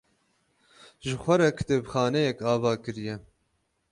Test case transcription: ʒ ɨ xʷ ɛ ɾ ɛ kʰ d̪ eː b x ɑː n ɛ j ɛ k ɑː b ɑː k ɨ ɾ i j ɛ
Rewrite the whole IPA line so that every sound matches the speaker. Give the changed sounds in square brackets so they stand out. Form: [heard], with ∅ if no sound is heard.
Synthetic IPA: ʒ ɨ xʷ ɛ ɾ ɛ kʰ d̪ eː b x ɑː n ɛ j ɛ k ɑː [v] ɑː k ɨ ɾ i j ɛ